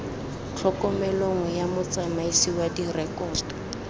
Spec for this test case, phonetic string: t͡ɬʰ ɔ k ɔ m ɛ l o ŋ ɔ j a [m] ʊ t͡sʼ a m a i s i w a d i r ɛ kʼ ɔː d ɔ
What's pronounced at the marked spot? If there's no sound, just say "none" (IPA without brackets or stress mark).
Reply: m